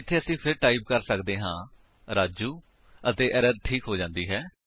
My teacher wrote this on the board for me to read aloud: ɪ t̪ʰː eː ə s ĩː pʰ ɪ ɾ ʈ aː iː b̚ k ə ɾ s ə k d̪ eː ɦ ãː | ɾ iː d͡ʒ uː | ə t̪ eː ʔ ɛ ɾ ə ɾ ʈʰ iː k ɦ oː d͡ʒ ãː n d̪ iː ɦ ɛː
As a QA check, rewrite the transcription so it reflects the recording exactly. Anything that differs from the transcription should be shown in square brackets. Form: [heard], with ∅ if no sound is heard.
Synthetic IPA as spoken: ɪ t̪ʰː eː ə s ĩː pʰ ɪ ɾ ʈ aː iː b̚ k ə ɾ s ə k d̪ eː ɦ ãː | ɾ [aː] d͡ʒ uː | ə t̪ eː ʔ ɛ ɾ ə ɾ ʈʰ iː k ɦ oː d͡ʒ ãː n d̪ iː ɦ ɛː